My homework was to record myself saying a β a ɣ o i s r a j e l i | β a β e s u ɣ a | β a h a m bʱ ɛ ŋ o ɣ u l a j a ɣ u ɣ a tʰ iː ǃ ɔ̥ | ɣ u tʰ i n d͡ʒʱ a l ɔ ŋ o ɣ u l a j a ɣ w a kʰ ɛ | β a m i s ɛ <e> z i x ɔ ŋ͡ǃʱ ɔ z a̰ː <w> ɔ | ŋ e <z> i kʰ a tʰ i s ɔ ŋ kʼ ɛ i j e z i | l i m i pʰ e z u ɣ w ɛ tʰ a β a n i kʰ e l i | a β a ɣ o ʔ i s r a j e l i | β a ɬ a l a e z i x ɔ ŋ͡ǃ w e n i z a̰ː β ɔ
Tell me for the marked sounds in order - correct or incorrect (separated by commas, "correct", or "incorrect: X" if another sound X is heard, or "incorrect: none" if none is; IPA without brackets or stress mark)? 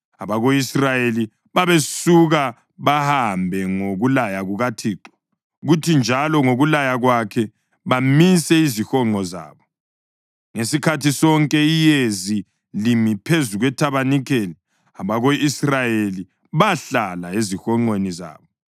incorrect: i, incorrect: β, incorrect: s